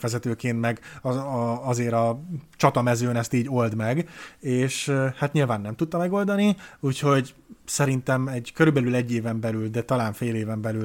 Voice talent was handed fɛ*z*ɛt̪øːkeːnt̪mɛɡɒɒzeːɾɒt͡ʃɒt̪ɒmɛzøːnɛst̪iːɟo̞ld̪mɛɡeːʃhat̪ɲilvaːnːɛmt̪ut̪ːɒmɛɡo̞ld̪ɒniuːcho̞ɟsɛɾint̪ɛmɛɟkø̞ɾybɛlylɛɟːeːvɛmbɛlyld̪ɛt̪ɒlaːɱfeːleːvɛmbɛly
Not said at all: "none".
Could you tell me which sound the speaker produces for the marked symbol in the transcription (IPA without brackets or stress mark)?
z